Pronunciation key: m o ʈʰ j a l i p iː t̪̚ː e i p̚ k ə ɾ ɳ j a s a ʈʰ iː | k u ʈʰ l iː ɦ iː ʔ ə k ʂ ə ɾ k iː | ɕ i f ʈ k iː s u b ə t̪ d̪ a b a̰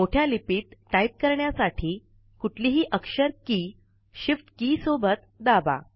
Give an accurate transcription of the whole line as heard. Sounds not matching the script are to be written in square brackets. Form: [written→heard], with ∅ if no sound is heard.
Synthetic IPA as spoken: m o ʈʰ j a l i p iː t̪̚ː [e→a] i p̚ k ə ɾ ɳ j a s a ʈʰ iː | k u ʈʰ l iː ɦ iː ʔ ə k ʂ ə ɾ k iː | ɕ i f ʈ k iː s [u→o] b ə t̪ d̪ a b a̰

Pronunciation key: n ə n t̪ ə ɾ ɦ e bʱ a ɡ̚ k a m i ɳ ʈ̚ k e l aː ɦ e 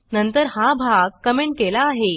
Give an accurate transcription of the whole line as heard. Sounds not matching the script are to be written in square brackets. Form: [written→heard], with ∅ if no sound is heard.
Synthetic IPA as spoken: n ə n t̪ ə ɾ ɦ [e→a] bʱ a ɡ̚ k [a→ə] m [i→e] ɳ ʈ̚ k e l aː ɦ e

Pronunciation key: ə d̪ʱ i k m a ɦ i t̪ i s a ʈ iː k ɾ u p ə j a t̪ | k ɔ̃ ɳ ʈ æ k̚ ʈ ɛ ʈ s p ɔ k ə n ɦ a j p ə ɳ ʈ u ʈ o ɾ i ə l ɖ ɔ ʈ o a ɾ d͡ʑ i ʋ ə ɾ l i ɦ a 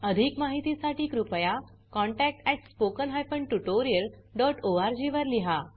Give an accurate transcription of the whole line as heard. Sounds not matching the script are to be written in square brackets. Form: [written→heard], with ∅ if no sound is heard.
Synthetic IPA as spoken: ə d̪ʱ i k m a ɦ i t̪ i s a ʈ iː k ɾ u p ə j a [t̪→∅] | k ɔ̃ ɳ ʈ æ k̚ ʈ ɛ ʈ s p [ɔ→o] k ə n ɦ a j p ə ɳ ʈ u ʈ o ɾ i ə l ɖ ɔ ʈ o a ɾ d͡ʑ i ʋ ə ɾ l i ɦ a

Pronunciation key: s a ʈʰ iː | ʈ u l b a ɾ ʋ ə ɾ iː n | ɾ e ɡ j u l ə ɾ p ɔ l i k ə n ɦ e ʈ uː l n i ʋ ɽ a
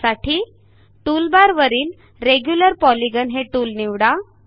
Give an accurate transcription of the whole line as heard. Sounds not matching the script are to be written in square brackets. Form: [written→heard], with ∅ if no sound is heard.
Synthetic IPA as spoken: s a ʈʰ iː | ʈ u l b a ɾ ʋ ə ɾ iː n | ɾ e ɡ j u l ə ɾ p ɔ l i [k→ɡ] ə n ɦ e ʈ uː l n i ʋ ɽ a

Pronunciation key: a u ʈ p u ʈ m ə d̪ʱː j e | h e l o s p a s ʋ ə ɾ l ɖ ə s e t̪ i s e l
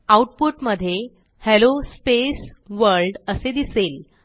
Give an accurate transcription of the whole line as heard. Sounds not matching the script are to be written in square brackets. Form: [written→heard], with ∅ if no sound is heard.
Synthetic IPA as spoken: a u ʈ p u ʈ m ə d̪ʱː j e | h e l o s p [a→e] s ʋ ə ɾ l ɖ ə s e [t̪→d̪] i s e l

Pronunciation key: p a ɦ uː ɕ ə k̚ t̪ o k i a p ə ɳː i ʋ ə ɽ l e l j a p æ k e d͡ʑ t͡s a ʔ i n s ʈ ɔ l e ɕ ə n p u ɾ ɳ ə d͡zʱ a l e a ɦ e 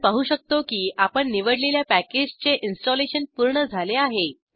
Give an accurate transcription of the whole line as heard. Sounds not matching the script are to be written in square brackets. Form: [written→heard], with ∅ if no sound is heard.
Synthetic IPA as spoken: p a ɦ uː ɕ ə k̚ t̪ o k [i→iː] a p ə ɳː i ʋ ə ɽ l e l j a p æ k e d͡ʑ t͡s [a→e] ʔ i n s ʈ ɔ l e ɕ ə n p u ɾ ɳ ə d͡zʱ a l e a ɦ e

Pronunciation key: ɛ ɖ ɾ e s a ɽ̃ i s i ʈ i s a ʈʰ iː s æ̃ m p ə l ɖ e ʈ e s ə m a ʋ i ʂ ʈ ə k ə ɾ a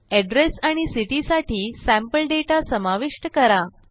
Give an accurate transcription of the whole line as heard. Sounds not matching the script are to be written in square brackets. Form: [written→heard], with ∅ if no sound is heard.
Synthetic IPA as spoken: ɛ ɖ ɾ e s a ɽ̃ i s i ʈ i s a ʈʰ iː s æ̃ m p ə l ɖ e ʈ [e→a] s ə m a ʋ i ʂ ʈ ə k ə ɾ a

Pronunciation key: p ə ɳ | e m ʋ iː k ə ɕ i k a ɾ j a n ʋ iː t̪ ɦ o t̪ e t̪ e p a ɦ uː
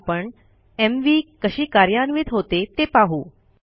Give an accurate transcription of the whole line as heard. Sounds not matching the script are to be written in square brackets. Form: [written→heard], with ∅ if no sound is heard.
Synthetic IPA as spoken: p ə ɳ | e m ʋ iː k ə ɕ [i→iː] k a ɾ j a n ʋ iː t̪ ɦ o t̪ e t̪ e p a ɦ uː

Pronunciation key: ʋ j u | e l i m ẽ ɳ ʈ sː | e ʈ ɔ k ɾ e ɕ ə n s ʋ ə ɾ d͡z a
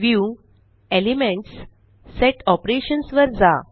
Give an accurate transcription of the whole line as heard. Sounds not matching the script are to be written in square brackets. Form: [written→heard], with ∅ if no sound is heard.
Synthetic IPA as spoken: ʋ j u | e l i m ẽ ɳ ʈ sː | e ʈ ɔ [k→p] ɾ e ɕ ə n s ʋ ə ɾ d͡z a

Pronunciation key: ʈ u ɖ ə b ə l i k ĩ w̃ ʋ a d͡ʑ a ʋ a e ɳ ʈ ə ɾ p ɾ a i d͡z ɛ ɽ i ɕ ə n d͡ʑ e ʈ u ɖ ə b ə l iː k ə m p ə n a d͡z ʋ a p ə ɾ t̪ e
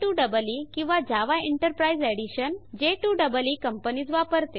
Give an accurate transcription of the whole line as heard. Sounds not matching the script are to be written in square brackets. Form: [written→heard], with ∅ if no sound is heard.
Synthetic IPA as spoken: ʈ u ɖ ə b ə l i k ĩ w̃ ʋ a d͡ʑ a ʋ a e ɳ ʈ ə ɾ p ɾ a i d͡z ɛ ɽ i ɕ ə n d͡ʑ e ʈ u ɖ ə b ə l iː k ə m p ə n [a→i] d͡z ʋ a p ə ɾ t̪ e

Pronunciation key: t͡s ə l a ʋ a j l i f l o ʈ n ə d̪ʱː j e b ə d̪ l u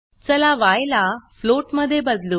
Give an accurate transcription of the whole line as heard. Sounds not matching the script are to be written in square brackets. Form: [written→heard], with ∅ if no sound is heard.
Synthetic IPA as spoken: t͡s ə l a ʋ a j l [i→a] f l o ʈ [n→m] ə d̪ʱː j e b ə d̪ l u

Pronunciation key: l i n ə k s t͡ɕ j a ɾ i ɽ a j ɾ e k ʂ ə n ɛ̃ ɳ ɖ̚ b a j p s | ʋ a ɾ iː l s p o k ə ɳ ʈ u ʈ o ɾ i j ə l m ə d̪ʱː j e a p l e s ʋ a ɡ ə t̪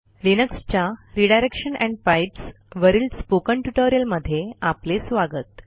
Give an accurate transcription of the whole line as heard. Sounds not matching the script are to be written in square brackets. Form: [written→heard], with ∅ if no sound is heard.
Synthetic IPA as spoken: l i n ə k s t͡ɕ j a ɾ i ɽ a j ɾ e k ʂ ə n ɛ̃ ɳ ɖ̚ [b→p] a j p s | ʋ [a→ə] ɾ iː l s p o k ə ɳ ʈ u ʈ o ɾ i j ə l m ə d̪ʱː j e a p l e s ʋ a ɡ ə t̪

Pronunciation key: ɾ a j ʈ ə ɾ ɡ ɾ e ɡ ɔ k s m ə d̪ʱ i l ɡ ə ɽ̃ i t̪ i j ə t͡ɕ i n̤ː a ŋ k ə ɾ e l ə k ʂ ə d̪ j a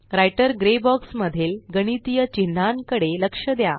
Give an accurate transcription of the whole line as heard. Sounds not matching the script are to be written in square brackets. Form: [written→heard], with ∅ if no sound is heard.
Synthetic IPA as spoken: ɾ a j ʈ ə ɾ ɡ ɾ e [ɡ→b] ɔ k s m ə d̪ʱ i l ɡ ə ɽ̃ i t̪ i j ə t͡ɕ i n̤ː a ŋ k ə [ɾ→ɽ] e l ə k ʂ ə d̪ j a

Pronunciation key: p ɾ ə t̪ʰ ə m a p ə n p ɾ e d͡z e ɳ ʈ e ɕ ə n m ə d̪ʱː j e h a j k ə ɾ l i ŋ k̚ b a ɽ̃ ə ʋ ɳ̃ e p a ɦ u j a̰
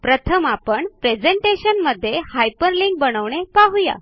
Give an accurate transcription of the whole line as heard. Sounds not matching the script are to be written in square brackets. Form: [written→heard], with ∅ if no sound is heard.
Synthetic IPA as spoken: p ɾ ə t̪ʰ ə m a p ə [n→ɳ] p ɾ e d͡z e ɳ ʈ e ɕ ə n m ə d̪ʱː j e h a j [k→p] ə ɾ l i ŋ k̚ b [a→ə] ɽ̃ ə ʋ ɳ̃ e p a ɦ u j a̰

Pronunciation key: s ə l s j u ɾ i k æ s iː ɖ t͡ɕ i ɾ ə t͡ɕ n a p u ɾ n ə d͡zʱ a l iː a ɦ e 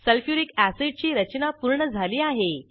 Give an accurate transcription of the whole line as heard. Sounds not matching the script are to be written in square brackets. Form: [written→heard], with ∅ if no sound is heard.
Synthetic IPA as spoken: s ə l [s→f] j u ɾ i k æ s [iː→i] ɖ t͡ɕ [i→iː] ɾ ə t͡ɕ n a p u ɾ [n→ɳ] ə d͡zʱ a l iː a ɦ e

